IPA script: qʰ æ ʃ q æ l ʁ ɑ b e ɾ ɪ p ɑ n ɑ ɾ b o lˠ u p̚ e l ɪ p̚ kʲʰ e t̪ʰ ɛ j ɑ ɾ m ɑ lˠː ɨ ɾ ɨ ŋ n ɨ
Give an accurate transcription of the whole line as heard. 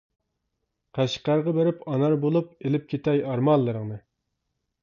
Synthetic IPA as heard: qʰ æ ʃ q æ ɾ ʁ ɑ b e ɾ ɪ p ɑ n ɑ ɾ b o lˠ u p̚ e l ɪ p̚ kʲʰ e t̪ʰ ɛ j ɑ ɾ m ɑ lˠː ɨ ɾ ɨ ŋ n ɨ